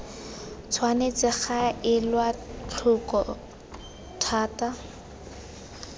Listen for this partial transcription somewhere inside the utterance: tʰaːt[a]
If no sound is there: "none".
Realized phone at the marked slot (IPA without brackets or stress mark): a